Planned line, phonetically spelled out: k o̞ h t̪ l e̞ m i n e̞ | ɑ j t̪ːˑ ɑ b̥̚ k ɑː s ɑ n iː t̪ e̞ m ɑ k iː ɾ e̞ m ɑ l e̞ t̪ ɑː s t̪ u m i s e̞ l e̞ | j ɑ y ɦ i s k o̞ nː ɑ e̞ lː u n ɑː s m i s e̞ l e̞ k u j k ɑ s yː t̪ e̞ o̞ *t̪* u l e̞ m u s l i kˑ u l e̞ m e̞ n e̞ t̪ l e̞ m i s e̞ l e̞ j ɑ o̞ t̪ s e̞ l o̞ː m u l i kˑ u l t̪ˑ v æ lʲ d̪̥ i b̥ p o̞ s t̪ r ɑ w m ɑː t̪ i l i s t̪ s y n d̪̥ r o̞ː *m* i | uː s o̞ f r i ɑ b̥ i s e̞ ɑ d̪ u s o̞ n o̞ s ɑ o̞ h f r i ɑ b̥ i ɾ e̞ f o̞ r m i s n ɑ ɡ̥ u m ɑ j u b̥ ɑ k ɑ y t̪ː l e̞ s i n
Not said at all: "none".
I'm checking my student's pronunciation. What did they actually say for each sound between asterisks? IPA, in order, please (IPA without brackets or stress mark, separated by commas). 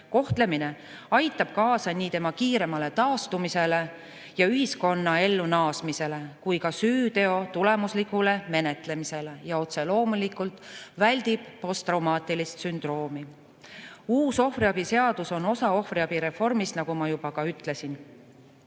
t̪, m